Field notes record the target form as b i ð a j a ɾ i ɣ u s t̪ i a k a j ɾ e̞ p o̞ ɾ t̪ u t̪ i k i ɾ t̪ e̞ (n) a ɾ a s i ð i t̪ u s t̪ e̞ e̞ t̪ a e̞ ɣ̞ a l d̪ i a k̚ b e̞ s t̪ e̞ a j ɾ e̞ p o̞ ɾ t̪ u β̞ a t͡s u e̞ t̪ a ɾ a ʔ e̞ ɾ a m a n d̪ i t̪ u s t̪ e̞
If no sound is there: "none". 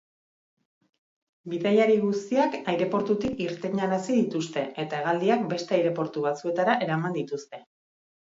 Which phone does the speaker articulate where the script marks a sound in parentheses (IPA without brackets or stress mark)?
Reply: ɲ